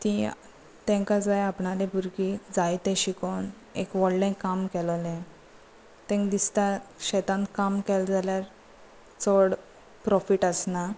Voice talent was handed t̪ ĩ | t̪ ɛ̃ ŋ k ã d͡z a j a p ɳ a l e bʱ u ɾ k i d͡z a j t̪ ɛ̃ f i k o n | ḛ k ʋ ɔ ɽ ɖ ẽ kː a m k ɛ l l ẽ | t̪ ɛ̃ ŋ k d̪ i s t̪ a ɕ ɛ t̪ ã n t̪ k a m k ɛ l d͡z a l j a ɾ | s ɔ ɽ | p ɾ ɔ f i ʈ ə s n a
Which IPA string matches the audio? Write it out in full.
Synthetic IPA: t̪ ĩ | t̪ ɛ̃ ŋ k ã d͡z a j a p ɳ a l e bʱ u ɾ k i d͡z a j t̪ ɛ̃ ɕ i k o n | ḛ k ʋ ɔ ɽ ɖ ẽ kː a m k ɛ l l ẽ | t̪ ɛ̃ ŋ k d̪ i s t̪ a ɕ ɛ t̪ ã n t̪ k a m k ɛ l d͡z a l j a ɾ | t͡s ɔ ɽ | p ɾ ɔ f i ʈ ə s n a